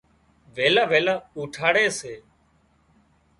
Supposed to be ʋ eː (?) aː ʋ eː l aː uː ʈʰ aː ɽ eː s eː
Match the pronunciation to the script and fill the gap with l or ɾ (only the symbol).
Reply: l